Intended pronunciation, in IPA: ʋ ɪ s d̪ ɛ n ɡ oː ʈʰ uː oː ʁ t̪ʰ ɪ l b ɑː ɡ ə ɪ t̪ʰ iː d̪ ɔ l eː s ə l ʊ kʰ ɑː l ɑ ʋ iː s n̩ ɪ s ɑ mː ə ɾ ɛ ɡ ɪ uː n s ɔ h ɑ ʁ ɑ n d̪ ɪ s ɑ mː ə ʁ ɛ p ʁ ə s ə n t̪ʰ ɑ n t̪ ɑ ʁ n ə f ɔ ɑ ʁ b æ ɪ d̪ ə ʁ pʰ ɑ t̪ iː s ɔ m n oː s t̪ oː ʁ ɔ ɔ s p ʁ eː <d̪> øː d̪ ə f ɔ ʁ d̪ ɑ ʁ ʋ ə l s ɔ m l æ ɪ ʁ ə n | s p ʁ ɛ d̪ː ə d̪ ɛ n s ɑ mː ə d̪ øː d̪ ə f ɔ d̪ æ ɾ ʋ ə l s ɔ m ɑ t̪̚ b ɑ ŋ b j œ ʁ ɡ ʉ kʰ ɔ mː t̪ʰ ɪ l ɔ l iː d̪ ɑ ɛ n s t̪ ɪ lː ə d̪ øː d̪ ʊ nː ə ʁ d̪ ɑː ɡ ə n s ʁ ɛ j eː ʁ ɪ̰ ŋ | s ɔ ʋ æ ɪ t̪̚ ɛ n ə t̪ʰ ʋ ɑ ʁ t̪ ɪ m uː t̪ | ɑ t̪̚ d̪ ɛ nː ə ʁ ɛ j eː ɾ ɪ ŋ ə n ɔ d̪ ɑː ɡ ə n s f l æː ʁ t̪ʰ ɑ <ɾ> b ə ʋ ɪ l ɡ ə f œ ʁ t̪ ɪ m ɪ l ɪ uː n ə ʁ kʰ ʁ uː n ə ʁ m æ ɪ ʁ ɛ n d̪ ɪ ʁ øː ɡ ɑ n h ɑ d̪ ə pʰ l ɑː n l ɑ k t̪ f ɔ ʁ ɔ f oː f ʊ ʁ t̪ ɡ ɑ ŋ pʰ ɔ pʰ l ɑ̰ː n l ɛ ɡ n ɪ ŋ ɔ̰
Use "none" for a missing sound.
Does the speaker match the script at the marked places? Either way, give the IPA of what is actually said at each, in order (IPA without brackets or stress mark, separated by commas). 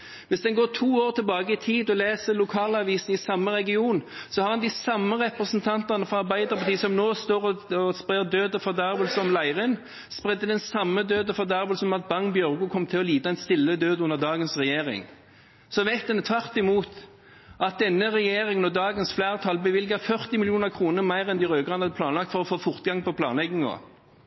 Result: d̪, l